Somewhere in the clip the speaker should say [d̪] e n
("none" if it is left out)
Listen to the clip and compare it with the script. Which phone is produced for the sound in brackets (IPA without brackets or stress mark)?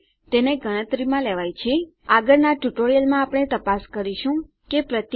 t̪